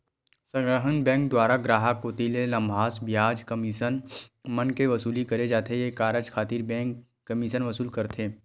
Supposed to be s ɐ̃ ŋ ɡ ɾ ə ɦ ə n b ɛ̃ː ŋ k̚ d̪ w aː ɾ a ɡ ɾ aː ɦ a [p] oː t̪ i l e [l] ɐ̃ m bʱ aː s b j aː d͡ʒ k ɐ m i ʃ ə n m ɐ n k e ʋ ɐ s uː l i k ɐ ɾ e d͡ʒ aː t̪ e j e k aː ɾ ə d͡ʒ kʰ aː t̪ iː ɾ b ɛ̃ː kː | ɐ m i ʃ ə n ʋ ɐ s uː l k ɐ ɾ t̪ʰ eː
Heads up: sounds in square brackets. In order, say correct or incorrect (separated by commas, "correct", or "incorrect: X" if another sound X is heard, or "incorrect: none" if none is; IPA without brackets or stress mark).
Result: incorrect: k, correct